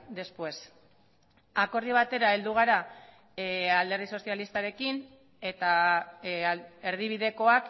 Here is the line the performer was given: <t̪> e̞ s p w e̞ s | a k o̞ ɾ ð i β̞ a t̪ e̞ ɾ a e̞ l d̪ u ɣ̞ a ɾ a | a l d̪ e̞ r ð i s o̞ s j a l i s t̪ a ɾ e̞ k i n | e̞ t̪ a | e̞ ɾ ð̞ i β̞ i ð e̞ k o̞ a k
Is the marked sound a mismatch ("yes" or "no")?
yes